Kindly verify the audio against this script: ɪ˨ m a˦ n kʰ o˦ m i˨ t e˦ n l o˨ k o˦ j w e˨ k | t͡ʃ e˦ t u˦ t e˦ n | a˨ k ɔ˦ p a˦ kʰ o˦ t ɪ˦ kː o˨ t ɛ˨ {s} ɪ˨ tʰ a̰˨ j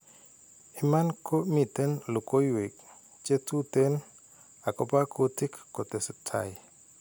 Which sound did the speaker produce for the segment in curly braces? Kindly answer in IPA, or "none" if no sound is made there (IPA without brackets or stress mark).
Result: s